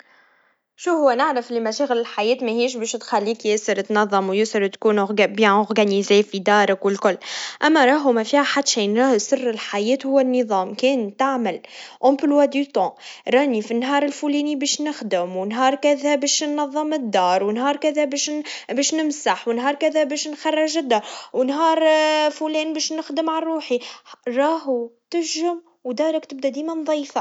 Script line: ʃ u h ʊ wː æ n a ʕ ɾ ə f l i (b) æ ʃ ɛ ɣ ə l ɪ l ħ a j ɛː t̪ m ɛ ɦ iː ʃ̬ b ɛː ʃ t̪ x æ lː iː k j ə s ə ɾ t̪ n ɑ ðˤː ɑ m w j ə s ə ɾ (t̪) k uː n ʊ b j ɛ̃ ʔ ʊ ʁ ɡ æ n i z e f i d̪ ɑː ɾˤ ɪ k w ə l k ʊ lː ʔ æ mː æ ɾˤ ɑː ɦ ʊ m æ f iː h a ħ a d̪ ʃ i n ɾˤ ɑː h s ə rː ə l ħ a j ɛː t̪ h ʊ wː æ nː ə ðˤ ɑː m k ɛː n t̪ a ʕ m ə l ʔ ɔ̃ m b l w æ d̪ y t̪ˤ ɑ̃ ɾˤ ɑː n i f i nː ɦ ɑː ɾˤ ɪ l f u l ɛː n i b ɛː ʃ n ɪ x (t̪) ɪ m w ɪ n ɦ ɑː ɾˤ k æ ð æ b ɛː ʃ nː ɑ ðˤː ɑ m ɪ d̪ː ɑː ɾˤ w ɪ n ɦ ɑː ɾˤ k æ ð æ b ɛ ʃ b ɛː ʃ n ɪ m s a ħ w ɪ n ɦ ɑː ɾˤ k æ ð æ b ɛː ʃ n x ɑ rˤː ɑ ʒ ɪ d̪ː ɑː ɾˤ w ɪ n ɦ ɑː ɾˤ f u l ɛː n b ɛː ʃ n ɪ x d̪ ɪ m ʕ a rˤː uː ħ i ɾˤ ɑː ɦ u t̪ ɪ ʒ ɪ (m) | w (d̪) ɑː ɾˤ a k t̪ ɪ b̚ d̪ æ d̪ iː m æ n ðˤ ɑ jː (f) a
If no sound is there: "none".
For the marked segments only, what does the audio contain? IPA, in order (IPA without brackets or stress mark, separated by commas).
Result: m, t̪, d̪, m, d̪, f